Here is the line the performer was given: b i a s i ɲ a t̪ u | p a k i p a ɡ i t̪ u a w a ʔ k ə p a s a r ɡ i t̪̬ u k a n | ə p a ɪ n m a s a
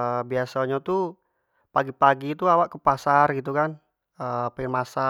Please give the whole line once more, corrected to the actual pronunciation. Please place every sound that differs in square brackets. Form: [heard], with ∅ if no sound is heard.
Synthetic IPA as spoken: b i a s [a] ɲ a t̪ u | p a [ɡ] i p a ɡ i t̪ u a w a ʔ k ə p a s a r ɡ i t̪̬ u k a n | ə p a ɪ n m a s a